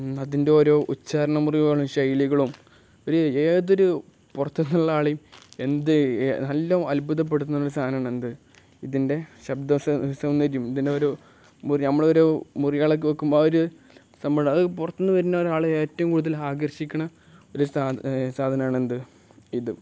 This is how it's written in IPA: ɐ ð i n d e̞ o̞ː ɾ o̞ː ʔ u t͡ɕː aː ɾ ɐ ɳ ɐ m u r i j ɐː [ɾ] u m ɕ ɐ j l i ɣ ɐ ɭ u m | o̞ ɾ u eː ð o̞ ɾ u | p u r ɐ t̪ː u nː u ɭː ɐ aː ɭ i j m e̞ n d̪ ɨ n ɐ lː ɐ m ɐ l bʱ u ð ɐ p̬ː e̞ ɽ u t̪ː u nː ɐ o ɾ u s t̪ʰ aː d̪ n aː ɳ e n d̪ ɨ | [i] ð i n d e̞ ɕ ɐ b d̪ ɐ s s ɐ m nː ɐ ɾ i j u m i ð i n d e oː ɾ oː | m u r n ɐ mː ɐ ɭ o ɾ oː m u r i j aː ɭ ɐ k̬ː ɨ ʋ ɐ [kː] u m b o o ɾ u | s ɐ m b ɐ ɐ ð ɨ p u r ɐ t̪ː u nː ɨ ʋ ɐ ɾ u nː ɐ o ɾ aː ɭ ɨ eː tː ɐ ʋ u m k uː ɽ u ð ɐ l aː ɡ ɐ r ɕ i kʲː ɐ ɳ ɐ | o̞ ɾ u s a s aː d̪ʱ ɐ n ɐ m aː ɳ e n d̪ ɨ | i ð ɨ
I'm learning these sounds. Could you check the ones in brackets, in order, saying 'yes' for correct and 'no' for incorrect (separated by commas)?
no, yes, yes